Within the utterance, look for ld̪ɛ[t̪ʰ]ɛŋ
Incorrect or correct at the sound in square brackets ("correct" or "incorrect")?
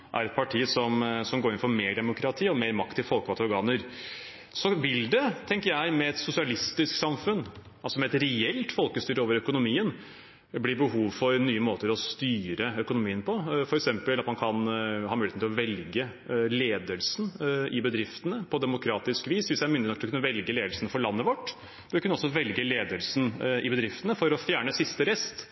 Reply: correct